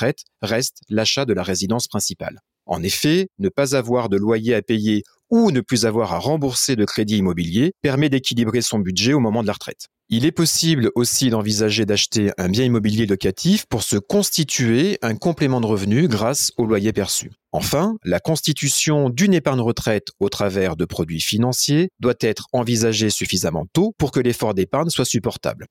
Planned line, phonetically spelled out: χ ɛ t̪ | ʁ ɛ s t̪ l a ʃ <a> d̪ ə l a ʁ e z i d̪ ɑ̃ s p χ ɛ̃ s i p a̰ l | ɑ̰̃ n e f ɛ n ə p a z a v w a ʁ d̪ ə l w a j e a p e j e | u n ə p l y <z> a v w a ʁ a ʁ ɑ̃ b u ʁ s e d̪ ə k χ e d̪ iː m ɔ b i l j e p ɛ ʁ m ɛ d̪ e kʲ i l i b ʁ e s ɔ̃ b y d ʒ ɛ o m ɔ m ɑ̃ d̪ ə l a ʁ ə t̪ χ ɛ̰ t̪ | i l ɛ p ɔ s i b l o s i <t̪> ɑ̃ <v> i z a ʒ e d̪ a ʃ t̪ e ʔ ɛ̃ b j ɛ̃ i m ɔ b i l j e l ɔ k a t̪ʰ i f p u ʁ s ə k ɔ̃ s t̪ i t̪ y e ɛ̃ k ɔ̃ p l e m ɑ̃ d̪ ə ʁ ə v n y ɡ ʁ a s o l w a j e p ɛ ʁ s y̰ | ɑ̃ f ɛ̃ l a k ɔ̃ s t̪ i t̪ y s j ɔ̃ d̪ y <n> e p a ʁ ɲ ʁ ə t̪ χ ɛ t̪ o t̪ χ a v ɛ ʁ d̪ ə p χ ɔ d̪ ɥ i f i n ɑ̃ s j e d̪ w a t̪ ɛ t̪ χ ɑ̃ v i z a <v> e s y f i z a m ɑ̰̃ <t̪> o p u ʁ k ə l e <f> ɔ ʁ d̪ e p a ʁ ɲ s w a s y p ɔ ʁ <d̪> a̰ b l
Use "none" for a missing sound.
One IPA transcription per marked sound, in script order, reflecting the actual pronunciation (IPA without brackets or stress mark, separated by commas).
a, z, d̪, v, n, ʒ, t̪, f, t̪